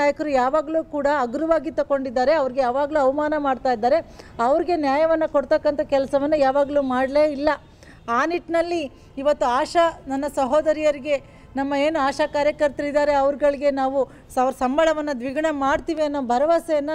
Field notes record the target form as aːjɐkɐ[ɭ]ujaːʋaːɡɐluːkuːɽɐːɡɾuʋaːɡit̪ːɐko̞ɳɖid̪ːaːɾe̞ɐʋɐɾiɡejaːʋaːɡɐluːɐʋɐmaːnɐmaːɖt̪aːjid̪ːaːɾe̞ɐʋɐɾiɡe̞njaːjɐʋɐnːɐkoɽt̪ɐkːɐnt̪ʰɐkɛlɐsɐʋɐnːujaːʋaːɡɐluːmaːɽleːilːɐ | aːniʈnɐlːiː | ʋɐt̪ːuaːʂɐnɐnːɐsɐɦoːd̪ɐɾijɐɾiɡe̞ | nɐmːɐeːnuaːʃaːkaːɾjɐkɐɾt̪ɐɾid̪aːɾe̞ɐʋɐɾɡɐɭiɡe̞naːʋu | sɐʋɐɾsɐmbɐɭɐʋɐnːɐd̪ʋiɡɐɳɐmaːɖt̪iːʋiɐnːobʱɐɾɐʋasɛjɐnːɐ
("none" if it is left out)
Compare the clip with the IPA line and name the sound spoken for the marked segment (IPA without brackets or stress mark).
ɾ